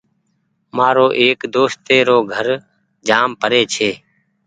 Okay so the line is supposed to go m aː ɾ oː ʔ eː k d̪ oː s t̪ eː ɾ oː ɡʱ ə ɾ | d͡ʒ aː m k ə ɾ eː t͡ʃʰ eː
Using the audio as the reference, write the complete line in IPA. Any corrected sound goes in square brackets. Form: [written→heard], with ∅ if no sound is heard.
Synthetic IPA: m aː ɾ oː ʔ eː k d̪ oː s t̪ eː ɾ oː ɡʱ ə ɾ | d͡ʒ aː m [k→p] ə ɾ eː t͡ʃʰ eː